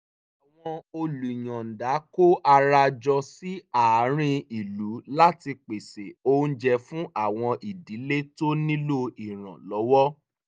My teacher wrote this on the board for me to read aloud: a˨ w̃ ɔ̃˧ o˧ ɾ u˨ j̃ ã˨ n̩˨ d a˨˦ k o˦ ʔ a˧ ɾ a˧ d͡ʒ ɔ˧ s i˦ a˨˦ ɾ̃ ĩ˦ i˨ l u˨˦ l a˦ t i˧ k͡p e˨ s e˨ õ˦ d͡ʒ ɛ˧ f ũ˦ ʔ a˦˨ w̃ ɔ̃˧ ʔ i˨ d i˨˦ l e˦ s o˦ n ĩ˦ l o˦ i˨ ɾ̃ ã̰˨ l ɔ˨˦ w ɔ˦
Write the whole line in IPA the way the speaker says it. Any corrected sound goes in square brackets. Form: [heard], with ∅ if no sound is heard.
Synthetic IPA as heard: a˨ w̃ ɔ̃˧ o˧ [l] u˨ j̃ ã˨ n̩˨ d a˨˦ k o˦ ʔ a˧ ɾ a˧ d͡ʒ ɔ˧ s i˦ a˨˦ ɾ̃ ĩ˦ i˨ l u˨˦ l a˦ t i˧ k͡p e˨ s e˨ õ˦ d͡ʒ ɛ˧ f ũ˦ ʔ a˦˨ w̃ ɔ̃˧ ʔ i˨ d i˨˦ l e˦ [t] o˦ n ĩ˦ l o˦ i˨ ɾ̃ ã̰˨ l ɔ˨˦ w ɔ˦